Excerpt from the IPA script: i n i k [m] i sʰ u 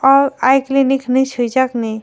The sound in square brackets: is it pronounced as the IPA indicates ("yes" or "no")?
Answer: no